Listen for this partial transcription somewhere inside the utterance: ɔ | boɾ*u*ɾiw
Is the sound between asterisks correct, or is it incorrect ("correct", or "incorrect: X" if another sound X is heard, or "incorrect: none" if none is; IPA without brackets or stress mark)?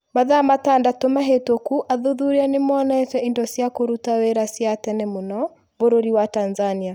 incorrect: o